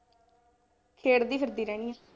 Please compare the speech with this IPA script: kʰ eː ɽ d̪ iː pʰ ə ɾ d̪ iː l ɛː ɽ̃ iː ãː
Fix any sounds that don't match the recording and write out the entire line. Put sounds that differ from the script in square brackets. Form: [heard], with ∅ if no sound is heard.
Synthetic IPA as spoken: kʰ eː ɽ d̪ iː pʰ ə ɾ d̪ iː [ɾ] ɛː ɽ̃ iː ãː